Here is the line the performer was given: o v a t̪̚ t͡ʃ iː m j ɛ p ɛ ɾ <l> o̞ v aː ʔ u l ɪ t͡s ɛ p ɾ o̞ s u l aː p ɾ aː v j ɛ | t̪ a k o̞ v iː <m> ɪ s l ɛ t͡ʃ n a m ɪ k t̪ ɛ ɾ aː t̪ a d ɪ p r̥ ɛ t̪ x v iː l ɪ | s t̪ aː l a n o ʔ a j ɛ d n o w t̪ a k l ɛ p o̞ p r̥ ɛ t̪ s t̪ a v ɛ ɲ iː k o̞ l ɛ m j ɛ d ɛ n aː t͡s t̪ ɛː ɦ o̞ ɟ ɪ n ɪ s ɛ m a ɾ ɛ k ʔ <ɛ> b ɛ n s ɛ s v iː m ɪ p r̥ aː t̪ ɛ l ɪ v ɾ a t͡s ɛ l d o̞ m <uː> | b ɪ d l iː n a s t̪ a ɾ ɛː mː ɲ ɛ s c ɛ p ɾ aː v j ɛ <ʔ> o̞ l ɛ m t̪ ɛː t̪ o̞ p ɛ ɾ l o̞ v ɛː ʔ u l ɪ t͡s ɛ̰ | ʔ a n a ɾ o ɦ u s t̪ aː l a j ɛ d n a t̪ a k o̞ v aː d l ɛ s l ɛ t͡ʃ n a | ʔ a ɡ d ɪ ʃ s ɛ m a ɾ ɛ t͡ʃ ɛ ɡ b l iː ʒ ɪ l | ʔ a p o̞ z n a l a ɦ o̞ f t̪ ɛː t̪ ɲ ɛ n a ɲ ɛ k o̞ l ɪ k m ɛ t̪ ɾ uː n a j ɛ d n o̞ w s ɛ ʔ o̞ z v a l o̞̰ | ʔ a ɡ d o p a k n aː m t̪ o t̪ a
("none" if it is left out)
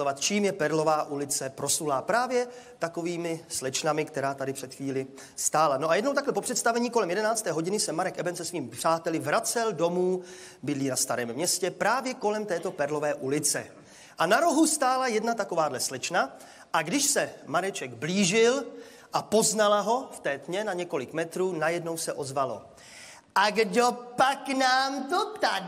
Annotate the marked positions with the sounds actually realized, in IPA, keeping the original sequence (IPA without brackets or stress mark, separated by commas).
l, m, ɛ, uː, k